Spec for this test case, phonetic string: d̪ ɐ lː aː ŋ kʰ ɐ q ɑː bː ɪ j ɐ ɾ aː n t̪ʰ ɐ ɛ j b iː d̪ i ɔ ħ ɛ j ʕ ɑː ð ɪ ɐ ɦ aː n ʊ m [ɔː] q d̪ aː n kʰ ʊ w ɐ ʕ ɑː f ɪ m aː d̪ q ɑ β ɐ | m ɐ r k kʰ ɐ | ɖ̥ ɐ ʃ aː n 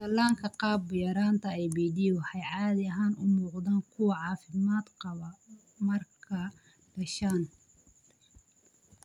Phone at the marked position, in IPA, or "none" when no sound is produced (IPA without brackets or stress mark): uː